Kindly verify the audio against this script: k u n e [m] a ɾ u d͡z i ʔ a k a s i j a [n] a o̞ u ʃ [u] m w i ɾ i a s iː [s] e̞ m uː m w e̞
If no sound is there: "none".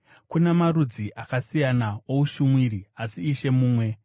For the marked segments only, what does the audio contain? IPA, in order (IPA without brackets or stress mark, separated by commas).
m, n, u, ʃ